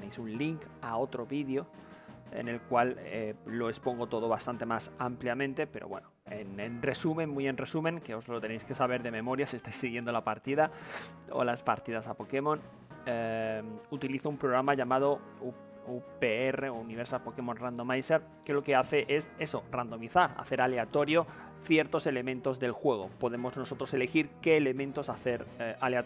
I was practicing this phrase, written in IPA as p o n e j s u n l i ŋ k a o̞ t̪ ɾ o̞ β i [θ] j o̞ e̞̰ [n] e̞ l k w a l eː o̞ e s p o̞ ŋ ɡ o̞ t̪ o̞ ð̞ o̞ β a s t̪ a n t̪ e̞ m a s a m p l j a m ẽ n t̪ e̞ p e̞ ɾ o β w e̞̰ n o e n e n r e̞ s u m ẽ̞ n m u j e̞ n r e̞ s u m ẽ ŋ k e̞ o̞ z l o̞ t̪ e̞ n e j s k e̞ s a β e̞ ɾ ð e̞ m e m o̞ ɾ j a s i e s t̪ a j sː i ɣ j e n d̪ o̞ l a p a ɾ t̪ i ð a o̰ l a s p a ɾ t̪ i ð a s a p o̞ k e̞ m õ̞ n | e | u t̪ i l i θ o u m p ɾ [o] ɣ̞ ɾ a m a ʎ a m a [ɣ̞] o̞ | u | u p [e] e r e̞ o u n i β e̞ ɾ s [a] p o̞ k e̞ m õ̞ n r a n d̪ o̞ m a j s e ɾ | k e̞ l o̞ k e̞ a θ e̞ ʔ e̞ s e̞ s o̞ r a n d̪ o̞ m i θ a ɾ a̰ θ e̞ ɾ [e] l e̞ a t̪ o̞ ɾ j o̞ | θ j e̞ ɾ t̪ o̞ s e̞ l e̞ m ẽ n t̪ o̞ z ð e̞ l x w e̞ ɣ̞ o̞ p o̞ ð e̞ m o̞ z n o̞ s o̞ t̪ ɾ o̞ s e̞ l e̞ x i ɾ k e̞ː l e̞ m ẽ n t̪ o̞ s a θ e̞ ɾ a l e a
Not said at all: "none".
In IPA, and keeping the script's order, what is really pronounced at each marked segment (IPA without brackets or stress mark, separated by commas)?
ð, n, o, ð̞, e, a, a